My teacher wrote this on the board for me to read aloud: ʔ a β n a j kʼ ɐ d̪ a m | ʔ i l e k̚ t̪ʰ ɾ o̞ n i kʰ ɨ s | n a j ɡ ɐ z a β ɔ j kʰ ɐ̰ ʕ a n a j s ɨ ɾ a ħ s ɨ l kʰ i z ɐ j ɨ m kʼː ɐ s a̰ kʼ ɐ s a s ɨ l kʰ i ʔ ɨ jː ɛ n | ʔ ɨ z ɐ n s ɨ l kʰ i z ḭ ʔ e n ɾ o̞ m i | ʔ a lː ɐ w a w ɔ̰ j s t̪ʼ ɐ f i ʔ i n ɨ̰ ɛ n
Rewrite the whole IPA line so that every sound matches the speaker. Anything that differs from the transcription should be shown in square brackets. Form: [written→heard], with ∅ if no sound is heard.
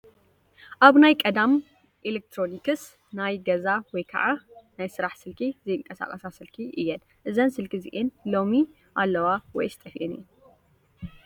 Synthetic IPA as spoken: ʔ a β n a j kʼ ɐ d̪ a m | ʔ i l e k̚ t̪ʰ ɾ o̞ n i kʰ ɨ s | n a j ɡ ɐ z a [β→w] ɔ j kʰ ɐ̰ ʕ a n a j s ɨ ɾ a ħ s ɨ l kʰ i z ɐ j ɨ [m→ŋ] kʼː ɐ s a̰ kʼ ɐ s a s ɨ l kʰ i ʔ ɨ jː ɛ n | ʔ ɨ z ɐ n s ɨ l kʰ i z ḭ ʔ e n [ɾ→l] o̞ m i | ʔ a lː ɐ w a w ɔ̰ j s t̪ʼ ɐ f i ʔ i n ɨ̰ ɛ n